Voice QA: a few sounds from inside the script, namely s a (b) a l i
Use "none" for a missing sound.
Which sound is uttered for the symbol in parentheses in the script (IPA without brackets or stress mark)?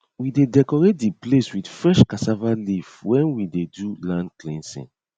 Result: v